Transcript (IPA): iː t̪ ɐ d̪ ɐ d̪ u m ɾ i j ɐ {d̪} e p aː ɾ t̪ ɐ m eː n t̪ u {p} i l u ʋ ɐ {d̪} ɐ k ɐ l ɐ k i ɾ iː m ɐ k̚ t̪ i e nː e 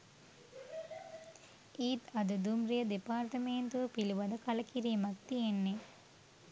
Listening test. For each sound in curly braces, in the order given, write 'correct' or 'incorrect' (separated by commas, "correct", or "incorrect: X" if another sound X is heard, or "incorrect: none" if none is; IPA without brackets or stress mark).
correct, correct, correct